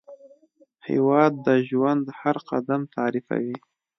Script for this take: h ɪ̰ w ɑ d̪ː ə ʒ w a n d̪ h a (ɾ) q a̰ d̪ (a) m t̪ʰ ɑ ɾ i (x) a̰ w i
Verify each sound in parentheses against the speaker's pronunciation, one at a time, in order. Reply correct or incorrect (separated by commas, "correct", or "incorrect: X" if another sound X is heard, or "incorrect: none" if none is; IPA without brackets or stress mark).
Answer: correct, correct, incorrect: f